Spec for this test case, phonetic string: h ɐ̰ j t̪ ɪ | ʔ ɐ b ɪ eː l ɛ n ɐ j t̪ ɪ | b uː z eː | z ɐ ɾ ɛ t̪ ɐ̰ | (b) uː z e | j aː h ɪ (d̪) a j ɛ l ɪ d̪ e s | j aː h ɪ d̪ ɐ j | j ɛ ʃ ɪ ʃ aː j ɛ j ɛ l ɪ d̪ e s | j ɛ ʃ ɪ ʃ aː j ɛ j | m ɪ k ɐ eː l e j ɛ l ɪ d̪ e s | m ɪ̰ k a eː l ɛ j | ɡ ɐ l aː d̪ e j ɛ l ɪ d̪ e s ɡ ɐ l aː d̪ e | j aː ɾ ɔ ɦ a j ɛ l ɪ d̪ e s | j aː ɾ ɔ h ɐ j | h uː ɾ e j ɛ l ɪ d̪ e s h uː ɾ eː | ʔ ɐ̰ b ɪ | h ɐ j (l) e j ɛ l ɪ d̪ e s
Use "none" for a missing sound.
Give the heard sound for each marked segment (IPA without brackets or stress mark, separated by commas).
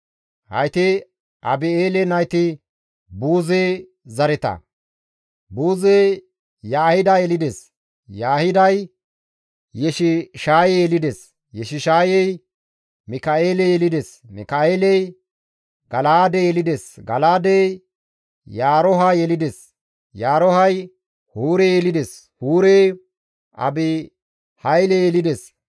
b, d̪, l